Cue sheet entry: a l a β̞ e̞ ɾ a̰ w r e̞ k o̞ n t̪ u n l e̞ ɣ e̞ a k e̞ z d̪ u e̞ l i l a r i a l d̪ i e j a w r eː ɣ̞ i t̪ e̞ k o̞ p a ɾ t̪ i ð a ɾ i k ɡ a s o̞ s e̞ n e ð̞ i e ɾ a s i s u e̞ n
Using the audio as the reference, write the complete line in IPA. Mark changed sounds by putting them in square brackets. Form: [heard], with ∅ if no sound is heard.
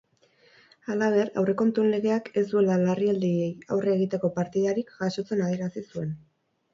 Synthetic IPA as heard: a l a β̞ e̞ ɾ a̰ w r e̞ k o̞ n t̪ u n l e̞ ɣ e̞ a k e̞ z d̪ u e̞ l [a] l a r i a l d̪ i e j a w r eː ɣ̞ i t̪ e̞ k o̞ p a ɾ t̪ i ð a ɾ i k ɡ a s o̞ [t͡s] e̞ n [a] ð̞ i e ɾ a s i s u e̞ n